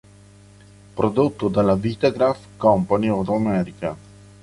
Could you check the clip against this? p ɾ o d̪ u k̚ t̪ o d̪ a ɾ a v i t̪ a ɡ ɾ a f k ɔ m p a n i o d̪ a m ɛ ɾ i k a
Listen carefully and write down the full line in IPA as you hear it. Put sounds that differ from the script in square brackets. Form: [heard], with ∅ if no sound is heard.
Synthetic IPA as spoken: p ɾ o d̪ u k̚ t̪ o d̪ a [l] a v i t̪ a ɡ ɾ a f k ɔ m p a n i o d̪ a m ɛ ɾ i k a